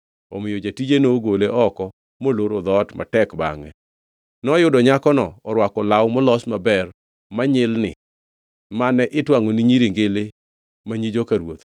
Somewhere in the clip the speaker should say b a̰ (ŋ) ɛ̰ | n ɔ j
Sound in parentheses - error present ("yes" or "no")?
no